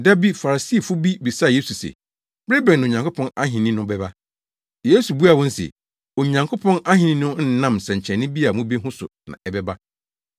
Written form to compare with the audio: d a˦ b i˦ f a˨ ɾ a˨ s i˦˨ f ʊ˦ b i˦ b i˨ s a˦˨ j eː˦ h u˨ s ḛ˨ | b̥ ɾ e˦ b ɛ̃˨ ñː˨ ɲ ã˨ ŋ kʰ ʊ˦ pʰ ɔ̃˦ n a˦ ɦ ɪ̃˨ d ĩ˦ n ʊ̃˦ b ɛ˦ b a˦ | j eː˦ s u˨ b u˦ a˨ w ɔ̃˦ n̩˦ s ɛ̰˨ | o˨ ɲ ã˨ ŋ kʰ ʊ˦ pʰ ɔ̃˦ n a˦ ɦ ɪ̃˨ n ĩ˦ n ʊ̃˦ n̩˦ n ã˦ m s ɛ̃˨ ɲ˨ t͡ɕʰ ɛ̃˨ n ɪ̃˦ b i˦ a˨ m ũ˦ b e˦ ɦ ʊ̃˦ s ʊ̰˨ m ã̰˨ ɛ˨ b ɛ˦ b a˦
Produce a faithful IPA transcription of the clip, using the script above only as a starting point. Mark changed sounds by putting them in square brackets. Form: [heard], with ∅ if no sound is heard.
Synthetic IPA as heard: d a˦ b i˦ f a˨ ɾ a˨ s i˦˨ f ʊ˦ b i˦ b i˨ s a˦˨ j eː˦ [s] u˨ s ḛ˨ | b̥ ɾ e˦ b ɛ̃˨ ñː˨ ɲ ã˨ ŋ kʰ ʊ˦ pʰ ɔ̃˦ n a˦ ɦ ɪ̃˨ [n] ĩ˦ n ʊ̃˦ b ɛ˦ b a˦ | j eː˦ s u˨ b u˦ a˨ w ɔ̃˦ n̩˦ s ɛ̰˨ | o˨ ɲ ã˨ ŋ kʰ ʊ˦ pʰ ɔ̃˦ n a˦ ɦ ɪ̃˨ n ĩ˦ n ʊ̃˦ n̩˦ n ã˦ m s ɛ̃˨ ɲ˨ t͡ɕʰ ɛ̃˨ n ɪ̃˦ b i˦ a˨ m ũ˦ b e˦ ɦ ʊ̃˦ s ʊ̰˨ [n] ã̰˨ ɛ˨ b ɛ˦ b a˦